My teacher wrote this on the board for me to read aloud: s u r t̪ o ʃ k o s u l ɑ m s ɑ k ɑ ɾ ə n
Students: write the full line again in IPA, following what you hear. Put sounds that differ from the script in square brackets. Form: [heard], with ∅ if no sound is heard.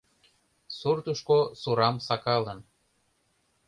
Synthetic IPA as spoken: s u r t̪ [u] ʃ k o s u [ɾ] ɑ m s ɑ k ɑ [l] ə n